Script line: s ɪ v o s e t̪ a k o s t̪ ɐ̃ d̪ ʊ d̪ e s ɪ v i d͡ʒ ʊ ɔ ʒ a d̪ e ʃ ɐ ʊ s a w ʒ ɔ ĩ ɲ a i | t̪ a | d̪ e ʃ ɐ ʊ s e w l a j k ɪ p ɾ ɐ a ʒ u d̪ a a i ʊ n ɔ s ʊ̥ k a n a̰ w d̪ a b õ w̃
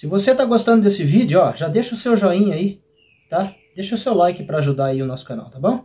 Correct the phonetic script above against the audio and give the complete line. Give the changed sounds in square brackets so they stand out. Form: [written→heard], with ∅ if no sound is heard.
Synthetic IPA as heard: s ɪ v o s e t̪ a [k→ɡ] o s t̪ ɐ̃ d̪ ʊ d̪ e s ɪ v i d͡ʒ ʊ ɔ ʒ a d̪ e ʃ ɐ ʊ s [a→e] w ʒ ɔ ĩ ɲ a i | t̪ a | d̪ e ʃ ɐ ʊ s e w l a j k ɪ p ɾ ɐ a ʒ u d̪ a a i ʊ n ɔ s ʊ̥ k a n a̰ w [d̪→t̪] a b õ w̃